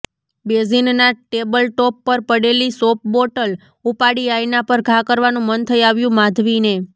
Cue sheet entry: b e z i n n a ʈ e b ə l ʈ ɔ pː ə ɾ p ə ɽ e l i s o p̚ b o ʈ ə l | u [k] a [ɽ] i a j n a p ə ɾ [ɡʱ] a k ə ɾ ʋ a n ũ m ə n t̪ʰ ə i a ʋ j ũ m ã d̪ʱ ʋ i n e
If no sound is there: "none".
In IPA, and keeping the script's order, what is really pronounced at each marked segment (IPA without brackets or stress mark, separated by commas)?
p, ɽ, ɡʱ